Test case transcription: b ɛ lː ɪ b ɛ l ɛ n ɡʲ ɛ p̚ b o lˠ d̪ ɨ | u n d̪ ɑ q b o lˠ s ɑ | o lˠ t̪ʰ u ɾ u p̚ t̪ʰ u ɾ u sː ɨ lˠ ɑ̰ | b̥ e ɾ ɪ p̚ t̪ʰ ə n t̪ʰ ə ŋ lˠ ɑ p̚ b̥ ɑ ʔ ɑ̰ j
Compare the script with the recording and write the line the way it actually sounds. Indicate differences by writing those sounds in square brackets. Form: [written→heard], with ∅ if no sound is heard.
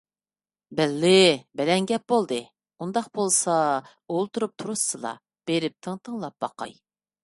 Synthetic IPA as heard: b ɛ lː ɪ b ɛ l ɛ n ɡʲ ɛ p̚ b o lˠ d̪ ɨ | u n d̪ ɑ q b o lˠ s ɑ | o lˠ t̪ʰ u ɾ u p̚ t̪ʰ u ɾ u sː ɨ lˠ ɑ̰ | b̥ e ɾ ɪ p̚ t̪ʰ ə [n→ŋ] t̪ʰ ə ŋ lˠ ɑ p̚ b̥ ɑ [ʔ→q] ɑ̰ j